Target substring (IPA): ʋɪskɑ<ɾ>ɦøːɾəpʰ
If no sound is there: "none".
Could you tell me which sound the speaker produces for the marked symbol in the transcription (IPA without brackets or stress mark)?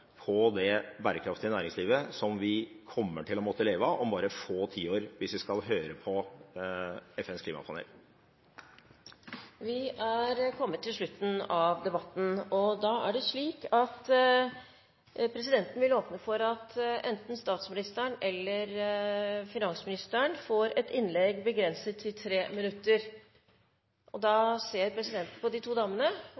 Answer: l